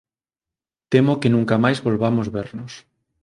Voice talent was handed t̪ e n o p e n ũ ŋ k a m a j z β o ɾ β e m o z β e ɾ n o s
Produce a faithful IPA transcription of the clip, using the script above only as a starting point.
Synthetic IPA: t̪ e m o k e n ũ ŋ k a m a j z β o l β a m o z β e ɾ n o s